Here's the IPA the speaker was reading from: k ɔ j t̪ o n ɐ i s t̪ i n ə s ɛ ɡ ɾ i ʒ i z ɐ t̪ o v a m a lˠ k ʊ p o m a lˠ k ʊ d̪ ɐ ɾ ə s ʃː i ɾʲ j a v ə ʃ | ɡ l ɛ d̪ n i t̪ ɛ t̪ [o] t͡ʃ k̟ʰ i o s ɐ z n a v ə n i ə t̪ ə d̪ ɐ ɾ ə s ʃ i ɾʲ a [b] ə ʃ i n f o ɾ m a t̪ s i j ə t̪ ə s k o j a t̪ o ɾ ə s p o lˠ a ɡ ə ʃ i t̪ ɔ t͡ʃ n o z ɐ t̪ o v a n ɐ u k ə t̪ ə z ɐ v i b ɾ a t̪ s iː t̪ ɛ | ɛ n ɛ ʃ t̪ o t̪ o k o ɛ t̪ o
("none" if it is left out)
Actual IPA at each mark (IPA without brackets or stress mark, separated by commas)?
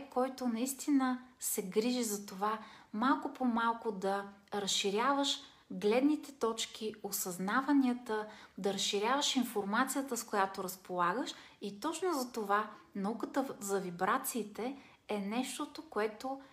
ɔ, v